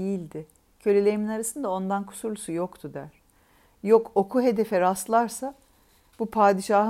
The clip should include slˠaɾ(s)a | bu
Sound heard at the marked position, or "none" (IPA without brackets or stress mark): s